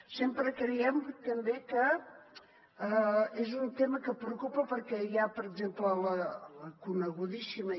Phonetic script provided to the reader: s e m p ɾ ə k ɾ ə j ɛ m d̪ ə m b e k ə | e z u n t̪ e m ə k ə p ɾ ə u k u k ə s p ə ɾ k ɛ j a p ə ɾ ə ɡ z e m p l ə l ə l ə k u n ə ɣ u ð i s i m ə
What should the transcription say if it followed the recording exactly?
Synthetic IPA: s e m p ɾ ə k ɾ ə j ɛ m t̪ ə m b e k ə | e z u n t̪ e m ə k ə p ɾ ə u k u p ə p ə ɾ k ɛ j a p ə ɾ ə ɡ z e m p l ə l ə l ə k u n ə ɣ u ð i s i m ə